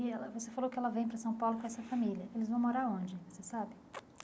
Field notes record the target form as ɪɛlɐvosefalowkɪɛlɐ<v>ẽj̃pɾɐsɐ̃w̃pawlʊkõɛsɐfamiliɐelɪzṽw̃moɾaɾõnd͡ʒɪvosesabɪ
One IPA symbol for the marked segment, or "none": v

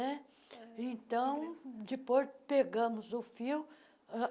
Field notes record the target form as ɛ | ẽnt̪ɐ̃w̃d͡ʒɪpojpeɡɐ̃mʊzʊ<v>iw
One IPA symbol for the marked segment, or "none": f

